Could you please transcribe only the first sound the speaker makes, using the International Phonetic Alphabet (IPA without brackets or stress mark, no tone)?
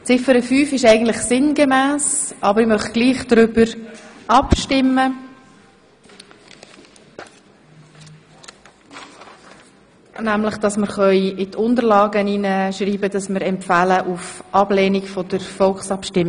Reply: t͡s